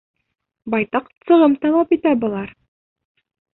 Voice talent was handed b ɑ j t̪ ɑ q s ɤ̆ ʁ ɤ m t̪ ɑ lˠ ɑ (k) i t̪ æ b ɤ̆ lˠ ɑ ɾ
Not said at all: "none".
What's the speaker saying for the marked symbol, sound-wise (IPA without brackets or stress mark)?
p